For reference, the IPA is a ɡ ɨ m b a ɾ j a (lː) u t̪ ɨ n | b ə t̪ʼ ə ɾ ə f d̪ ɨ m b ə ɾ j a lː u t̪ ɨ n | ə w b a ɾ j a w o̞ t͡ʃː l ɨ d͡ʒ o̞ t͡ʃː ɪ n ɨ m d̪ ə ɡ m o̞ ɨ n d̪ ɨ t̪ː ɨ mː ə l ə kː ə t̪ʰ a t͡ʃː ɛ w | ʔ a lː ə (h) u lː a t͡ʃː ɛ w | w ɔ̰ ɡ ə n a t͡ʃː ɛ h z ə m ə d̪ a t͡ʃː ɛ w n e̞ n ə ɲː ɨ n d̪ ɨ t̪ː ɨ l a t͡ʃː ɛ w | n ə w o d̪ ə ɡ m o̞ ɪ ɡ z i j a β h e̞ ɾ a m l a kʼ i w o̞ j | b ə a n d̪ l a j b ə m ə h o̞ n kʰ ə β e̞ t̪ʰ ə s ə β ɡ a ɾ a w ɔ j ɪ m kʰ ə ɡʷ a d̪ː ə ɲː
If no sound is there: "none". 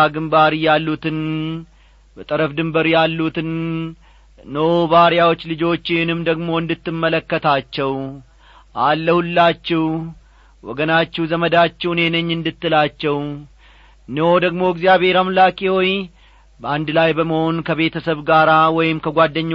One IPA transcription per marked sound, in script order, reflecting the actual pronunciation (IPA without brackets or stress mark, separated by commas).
lː, h